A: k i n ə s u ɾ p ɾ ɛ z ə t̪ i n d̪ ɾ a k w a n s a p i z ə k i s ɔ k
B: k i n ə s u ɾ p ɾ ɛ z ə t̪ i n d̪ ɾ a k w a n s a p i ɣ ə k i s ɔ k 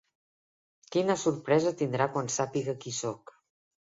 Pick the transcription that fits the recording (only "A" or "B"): B